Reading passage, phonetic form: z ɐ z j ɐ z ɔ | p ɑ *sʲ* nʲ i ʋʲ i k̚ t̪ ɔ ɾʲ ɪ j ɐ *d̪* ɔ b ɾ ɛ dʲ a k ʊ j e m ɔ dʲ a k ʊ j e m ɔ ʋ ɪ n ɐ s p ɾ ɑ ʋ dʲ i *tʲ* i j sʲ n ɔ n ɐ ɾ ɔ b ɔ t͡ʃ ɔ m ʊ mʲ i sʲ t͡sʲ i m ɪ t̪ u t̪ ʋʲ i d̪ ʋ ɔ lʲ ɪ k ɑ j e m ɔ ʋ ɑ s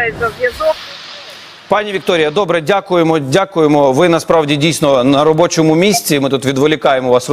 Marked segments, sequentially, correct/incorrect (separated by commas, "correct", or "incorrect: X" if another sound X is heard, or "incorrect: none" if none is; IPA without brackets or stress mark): incorrect: none, correct, incorrect: dʲ